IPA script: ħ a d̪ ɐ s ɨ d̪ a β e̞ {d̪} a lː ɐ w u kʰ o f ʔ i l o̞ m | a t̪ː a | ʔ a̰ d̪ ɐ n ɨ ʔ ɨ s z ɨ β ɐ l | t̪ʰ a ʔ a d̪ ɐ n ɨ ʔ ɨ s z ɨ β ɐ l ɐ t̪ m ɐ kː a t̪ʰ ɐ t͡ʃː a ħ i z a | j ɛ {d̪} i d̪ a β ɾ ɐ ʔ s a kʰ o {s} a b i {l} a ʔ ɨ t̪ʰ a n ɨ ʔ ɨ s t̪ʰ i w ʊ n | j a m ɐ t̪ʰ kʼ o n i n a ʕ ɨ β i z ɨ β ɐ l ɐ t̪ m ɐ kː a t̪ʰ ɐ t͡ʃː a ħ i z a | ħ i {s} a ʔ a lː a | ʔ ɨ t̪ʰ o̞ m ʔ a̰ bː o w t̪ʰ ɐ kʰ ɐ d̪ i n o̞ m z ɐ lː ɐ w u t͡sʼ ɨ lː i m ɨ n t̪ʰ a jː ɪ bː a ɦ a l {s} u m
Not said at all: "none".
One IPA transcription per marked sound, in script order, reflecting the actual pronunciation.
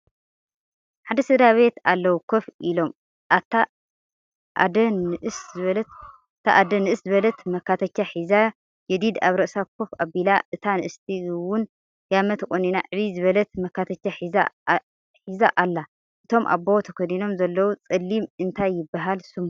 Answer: t̪, d̪, f, l, z, s

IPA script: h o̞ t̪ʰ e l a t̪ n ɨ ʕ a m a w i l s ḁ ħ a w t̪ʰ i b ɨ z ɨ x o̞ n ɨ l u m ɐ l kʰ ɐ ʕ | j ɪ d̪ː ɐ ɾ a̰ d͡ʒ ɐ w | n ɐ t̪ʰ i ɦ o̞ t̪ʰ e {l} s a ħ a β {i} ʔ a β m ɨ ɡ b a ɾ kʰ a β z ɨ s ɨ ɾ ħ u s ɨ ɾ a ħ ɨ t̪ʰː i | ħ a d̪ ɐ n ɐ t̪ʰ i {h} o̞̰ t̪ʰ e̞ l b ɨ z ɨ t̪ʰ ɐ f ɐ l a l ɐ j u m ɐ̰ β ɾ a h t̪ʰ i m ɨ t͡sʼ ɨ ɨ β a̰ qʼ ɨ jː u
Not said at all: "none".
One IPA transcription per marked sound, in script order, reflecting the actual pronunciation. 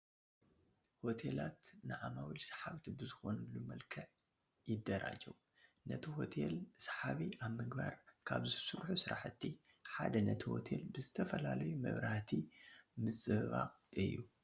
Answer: l, i, h

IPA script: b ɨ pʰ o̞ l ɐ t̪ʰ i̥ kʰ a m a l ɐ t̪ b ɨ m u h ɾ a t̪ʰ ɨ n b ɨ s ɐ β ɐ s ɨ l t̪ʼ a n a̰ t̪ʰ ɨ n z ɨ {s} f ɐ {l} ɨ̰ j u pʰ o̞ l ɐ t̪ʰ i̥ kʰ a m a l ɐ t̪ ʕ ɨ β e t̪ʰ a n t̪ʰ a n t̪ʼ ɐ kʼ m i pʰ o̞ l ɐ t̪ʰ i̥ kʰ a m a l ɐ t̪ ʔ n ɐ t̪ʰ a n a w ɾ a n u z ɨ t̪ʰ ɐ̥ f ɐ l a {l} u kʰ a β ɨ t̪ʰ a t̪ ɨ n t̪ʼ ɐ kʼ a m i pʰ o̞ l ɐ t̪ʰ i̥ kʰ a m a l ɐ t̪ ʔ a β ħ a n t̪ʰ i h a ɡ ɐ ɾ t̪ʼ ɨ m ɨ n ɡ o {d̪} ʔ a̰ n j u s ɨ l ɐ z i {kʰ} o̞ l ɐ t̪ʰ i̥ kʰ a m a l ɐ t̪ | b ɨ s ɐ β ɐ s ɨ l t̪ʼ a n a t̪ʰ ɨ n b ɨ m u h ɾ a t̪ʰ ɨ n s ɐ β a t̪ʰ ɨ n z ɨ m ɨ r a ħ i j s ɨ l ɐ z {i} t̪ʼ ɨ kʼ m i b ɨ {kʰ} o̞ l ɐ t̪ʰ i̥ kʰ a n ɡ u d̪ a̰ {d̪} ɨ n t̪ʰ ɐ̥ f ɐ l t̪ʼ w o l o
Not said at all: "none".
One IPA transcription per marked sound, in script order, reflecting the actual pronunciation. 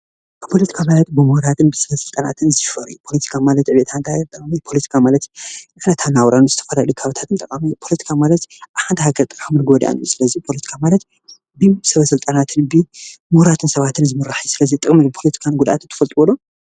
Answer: ʃ, ɾ, l, d̪, pʰ, i, pʰ, t̪

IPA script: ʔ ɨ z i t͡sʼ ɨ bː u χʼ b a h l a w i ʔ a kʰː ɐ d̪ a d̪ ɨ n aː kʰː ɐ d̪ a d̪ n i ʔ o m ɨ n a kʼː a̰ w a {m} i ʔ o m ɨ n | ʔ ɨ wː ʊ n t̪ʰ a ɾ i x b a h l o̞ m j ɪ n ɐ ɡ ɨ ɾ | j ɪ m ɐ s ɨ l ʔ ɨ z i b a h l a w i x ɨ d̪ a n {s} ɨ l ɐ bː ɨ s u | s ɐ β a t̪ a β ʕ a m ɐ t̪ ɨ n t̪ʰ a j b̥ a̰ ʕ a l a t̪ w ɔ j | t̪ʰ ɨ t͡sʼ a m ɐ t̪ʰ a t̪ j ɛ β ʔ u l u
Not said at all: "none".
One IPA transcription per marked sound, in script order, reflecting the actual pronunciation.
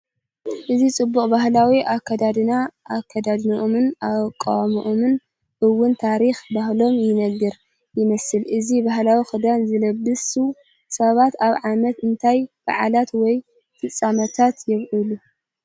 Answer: m, z

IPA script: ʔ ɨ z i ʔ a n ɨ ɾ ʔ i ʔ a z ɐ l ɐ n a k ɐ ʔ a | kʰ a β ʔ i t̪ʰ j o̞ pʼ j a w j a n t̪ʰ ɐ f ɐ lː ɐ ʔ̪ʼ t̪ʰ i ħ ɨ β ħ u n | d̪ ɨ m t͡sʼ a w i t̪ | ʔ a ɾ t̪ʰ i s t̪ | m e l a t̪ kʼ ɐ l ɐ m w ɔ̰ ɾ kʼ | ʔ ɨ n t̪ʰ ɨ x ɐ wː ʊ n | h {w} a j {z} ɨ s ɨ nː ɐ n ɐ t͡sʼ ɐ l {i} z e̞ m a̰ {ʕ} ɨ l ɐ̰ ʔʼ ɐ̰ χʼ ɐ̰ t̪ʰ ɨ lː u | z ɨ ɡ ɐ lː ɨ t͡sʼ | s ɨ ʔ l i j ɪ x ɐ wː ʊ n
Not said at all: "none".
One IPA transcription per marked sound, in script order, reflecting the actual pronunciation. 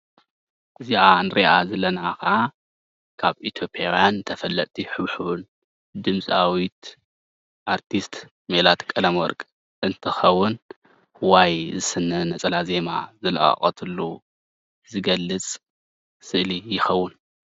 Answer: w, z, a, z

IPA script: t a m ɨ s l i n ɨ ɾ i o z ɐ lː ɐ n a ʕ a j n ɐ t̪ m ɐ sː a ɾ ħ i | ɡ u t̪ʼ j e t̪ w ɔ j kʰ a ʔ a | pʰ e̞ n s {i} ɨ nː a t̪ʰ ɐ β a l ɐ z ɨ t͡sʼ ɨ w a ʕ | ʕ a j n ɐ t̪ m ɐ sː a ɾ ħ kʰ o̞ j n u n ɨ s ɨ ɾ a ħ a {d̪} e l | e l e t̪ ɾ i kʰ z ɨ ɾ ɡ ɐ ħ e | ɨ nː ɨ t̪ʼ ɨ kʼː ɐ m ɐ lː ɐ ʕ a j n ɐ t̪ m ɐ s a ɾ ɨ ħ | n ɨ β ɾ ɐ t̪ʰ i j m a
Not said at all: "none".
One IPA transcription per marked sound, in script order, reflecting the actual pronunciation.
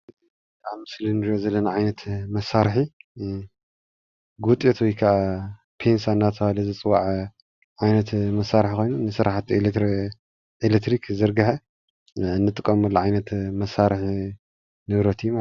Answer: a, t̪

